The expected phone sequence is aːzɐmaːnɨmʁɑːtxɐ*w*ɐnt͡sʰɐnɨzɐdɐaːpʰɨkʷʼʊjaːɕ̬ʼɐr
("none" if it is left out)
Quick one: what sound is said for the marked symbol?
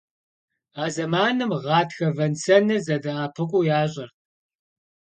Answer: v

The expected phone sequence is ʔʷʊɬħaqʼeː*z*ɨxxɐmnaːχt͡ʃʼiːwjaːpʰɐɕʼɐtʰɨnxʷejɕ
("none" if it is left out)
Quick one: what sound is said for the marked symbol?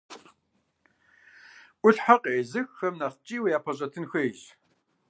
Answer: z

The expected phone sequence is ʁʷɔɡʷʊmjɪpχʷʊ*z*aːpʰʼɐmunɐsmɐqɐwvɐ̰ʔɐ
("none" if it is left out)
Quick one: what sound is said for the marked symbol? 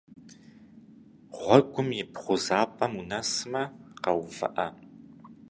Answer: z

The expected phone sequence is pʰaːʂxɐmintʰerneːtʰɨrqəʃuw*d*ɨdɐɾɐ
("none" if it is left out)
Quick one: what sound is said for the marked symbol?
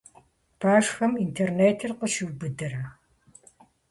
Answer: b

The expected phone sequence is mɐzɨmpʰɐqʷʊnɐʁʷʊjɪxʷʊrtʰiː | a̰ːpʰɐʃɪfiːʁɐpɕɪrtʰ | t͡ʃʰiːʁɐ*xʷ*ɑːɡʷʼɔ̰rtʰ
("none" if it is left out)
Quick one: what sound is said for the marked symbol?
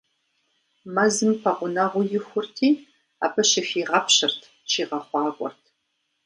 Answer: χʷ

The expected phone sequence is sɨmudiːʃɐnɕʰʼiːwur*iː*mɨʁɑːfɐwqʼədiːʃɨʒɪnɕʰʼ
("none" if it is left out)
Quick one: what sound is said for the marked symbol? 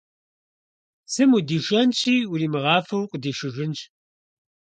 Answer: iː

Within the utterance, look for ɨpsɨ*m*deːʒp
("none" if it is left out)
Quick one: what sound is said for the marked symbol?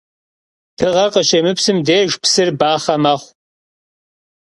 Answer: m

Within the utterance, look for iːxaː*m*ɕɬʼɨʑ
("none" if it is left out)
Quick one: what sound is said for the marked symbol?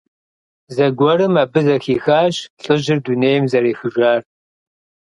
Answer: none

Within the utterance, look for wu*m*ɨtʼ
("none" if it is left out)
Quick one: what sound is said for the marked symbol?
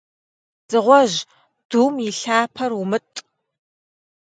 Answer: m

